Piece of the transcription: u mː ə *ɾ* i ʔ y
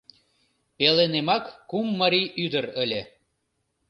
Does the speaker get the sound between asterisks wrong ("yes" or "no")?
no